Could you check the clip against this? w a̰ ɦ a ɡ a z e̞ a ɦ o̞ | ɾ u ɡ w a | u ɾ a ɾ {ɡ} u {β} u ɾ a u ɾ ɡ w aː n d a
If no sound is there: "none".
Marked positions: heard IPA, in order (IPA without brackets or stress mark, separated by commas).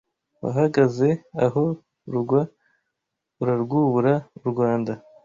ɡ, β